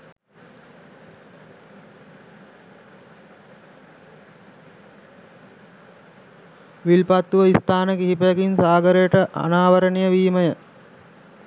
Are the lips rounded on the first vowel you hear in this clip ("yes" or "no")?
no